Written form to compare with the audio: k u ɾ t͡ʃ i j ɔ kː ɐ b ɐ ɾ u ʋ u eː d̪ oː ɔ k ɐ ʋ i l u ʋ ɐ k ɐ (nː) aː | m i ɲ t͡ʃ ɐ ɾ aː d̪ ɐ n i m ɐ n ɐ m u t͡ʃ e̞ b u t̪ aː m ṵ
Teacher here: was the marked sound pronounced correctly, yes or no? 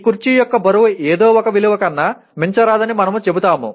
yes